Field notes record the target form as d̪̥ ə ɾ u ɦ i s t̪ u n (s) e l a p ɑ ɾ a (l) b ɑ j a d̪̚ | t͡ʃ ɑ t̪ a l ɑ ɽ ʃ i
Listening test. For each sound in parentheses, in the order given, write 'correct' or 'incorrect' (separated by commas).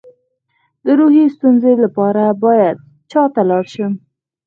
incorrect, incorrect